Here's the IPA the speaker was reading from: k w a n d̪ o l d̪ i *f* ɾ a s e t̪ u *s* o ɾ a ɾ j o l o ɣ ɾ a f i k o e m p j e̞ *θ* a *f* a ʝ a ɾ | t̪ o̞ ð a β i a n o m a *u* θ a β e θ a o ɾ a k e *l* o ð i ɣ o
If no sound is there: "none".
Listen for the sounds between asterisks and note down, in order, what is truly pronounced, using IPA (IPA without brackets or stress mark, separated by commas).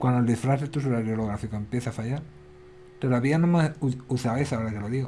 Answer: f, s, θ, f, u, l